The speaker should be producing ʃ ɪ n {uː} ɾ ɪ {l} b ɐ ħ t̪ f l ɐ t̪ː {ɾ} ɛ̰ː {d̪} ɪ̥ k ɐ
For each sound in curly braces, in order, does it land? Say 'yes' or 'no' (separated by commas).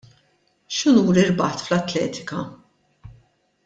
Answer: yes, no, no, no